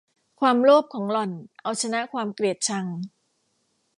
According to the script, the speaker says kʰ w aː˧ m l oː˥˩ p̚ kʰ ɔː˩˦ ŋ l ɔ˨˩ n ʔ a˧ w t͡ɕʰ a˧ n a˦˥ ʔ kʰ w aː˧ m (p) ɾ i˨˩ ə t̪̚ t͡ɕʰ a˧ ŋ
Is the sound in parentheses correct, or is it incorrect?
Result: incorrect: k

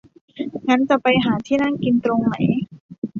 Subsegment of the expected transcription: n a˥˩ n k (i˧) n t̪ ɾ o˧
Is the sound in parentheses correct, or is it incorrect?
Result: correct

